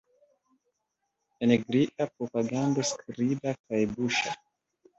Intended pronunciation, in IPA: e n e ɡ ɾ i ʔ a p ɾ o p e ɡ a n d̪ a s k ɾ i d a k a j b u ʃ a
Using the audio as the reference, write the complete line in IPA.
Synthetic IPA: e n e ɡ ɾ i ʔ a p ɾ o p a ɡ a n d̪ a s k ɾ i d a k a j b u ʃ a